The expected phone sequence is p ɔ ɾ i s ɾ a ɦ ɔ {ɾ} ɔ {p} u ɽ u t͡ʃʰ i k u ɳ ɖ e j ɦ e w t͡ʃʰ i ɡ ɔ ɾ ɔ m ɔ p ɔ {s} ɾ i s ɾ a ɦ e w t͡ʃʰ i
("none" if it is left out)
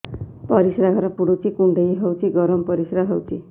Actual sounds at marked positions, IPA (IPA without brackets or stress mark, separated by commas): ɾ, p, none